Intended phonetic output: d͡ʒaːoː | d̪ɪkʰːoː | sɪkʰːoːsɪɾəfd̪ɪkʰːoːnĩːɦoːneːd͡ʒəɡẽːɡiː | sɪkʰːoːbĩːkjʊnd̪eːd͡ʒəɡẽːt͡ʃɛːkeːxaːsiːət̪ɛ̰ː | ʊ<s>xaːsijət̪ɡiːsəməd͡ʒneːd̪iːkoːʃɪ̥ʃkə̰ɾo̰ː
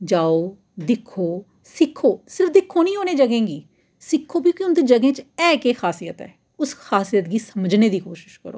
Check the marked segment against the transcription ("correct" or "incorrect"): correct